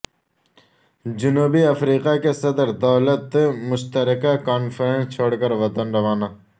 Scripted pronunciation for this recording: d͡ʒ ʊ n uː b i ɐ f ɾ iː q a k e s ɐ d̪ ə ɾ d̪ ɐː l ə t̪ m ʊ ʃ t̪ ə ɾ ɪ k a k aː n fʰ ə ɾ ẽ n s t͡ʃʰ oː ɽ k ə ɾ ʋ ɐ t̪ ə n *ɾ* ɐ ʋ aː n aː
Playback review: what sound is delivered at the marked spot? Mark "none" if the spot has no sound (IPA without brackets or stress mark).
ɾ